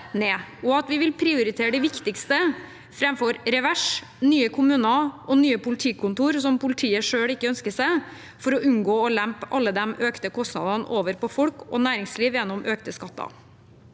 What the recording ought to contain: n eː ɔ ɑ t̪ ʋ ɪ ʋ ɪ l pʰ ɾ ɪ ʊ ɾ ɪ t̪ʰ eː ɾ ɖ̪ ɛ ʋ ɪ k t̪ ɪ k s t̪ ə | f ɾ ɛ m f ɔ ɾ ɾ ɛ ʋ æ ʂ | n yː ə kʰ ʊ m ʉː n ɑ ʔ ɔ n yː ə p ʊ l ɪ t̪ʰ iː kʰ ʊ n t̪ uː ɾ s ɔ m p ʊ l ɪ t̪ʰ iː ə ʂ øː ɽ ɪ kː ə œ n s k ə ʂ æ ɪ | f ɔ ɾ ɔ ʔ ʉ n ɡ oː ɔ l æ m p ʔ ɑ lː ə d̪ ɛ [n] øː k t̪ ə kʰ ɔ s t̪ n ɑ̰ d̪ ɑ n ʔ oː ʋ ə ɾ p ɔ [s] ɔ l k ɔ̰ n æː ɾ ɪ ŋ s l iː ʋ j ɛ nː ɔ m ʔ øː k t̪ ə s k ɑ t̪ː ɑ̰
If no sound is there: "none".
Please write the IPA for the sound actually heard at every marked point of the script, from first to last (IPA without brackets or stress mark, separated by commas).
m, f